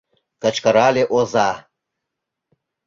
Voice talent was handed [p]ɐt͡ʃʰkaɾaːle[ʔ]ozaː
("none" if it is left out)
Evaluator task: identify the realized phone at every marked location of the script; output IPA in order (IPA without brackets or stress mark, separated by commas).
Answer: k, ʔ